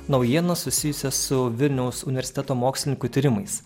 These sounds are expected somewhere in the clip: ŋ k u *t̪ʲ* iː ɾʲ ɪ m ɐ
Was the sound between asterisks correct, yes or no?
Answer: yes